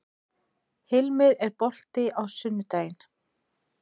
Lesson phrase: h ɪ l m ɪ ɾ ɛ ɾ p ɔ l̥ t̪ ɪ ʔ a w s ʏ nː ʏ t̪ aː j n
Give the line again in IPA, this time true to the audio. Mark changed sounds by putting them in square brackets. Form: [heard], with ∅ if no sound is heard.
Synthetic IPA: h ɪ l m ɪ ɾ ɛ ɾ p ɔ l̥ t̪ ɪ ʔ a w s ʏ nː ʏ t̪ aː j n